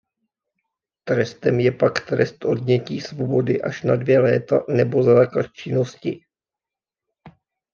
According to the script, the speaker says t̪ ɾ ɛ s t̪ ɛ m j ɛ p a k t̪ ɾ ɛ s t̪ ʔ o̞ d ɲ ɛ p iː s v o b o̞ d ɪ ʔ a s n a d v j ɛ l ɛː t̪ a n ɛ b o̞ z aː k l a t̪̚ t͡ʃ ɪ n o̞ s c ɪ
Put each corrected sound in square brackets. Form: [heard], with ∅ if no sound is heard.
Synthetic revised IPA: t̪ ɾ ɛ s t̪ ɛ m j ɛ p a k t̪ ɾ ɛ s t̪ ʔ o̞ d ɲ ɛ [c] iː s v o b o̞ d ɪ ʔ a [ʃ] n a d v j ɛ l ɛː t̪ a n ɛ b o̞ z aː k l a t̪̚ t͡ʃ ɪ n o̞ s c ɪ

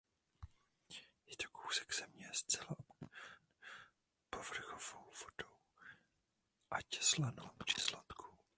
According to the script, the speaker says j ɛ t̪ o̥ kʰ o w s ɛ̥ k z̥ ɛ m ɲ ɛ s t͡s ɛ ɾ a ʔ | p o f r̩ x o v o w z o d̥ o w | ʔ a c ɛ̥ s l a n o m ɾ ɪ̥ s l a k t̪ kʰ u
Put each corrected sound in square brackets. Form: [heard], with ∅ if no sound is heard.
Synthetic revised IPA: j ɛ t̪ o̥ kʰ o w s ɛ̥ k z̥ ɛ m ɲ ɛ s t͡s ɛ [l] a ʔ | p o [v] r̩ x o v o w [v] o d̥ o w | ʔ a c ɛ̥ s l a n o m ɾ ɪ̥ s l a [∅] t̪ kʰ u

